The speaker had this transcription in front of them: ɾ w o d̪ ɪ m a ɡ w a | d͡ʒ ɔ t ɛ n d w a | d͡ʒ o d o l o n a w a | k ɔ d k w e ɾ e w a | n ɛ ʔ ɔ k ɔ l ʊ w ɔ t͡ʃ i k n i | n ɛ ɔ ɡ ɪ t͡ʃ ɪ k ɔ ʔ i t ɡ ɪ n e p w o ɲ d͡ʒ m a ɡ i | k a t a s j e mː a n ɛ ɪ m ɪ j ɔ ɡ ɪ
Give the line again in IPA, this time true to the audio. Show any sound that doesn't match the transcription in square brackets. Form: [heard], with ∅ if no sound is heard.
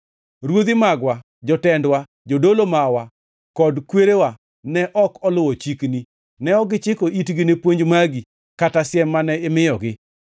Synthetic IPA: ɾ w o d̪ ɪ m a ɡ w a | d͡ʒ ɔ t ɛ n d w a | d͡ʒ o d o l o [m] a w a | k ɔ d k w e ɾ e w a | n ɛ ʔ ɔ k ɔ l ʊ w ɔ t͡ʃ i k n i | n ɛ ɔ ɡ ɪ t͡ʃ ɪ k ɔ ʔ i t ɡ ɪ n e p w o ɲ d͡ʒ m a ɡ i | k a t a s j [ɛ] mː a n ɛ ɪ m ɪ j ɔ ɡ ɪ